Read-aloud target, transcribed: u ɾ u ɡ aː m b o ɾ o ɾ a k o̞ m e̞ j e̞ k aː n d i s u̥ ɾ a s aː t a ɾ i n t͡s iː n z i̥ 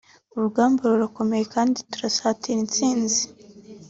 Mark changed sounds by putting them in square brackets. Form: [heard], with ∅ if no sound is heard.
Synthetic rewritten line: u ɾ u ɡ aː m b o ɾ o ɾ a k o̞ m e̞ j e̞ k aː n d i [t] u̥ ɾ a s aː t [i] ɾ i n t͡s iː n z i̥